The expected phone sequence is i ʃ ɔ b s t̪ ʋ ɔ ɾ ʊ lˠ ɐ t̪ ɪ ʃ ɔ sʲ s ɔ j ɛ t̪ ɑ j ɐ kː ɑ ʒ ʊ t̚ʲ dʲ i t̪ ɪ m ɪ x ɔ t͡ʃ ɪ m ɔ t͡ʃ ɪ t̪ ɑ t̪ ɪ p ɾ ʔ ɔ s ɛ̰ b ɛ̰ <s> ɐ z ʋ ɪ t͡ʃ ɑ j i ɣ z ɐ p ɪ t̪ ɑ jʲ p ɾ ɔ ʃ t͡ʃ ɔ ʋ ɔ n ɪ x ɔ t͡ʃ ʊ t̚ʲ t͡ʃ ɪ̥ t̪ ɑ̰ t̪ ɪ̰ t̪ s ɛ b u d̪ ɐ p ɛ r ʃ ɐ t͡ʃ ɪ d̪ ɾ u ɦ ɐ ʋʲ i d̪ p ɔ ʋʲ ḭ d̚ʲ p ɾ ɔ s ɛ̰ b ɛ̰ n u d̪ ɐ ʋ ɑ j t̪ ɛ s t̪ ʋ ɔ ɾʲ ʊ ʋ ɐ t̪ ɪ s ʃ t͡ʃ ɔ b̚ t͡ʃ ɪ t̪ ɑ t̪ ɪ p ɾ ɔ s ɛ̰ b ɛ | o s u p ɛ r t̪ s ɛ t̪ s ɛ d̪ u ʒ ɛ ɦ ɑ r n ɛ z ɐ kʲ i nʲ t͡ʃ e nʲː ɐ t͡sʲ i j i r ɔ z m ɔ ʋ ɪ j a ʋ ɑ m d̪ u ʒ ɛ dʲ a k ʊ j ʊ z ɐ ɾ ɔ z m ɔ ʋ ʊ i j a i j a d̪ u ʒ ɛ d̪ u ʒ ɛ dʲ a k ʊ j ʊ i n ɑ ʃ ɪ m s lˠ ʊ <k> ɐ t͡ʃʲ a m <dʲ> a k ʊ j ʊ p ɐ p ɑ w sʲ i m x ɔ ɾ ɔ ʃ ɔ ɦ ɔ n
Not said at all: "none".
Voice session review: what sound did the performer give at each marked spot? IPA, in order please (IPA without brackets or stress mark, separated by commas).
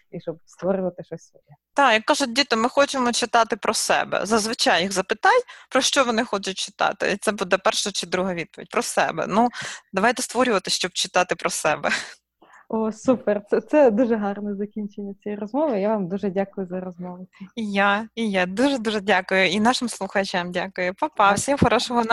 z, x, dʲ